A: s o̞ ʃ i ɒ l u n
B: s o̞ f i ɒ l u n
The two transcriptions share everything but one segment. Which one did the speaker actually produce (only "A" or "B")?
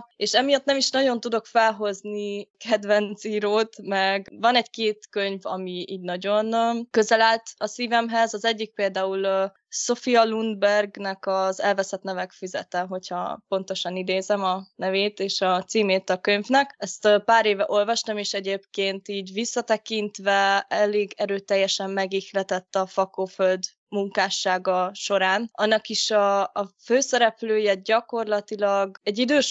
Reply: B